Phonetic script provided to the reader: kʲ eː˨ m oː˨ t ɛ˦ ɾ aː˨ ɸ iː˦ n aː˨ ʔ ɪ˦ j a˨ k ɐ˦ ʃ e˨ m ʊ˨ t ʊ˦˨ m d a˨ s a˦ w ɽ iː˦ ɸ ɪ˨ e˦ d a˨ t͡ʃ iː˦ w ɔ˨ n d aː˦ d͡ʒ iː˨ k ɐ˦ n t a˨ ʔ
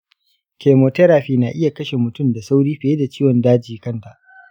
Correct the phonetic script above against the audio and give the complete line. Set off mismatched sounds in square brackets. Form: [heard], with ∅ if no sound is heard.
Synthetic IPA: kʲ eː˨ m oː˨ t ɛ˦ ɾ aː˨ ɸ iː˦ n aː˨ ʔ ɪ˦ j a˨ k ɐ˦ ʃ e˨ m ʊ˨ t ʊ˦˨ m d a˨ s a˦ w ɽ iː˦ ɸ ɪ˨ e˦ d a˨ t͡ʃ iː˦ w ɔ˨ n d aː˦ d͡ʒ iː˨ k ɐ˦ n t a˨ ʔ